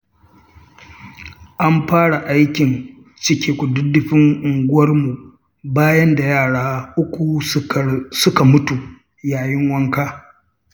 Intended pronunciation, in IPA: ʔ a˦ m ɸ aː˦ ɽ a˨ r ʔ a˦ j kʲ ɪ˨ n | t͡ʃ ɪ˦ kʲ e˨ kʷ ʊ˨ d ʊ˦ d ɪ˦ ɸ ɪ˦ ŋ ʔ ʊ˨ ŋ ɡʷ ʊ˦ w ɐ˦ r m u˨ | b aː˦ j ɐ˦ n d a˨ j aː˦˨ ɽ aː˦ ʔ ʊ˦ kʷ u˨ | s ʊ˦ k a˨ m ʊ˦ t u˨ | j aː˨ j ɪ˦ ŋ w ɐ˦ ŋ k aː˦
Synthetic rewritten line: ʔ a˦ m ɸ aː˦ ɽ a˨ ʔ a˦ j kʲ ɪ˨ n | t͡ʃ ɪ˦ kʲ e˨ kʷ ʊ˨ d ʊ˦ d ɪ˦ ɸ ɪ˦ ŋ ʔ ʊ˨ ŋ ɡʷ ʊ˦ w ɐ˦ r m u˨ | b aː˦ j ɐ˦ n d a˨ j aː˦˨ ɽ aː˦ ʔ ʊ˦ kʷ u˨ | s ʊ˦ k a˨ m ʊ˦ t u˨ | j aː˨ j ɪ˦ ŋ w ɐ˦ ŋ k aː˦